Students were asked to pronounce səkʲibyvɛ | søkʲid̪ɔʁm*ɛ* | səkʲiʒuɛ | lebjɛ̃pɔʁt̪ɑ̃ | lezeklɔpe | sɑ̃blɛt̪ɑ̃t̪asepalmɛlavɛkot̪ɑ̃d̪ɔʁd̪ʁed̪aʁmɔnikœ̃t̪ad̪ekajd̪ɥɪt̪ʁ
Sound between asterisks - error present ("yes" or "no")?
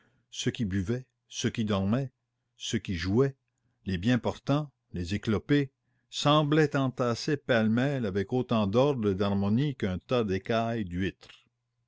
no